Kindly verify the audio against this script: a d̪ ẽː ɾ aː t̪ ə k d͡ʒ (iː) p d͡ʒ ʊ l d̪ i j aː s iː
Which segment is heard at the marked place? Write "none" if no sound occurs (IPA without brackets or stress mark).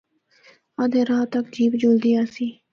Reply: iː